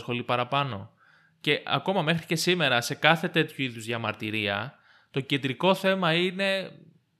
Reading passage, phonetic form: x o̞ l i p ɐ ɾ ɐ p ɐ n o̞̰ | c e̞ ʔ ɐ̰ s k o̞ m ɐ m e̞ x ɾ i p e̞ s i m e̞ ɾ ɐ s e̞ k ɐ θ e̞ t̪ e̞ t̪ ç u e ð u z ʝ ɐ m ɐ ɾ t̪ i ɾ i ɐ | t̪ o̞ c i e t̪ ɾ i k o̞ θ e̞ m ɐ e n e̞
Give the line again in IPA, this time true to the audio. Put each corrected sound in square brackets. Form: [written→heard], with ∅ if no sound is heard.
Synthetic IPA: x o̞ l i p ɐ ɾ ɐ p ɐ n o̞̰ | c e̞ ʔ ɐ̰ [s→∅] k o̞ m ɐ m e̞ x ɾ i [p→c] e̞ s i m e̞ ɾ ɐ s e̞ k ɐ θ e̞ t̪ e̞ t̪ ç u [e→i] ð u z ʝ ɐ m ɐ ɾ t̪ i ɾ i ɐ | t̪ o̞ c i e [t̪→d̪] ɾ i k o̞ θ e̞ m ɐ [e→i] n e̞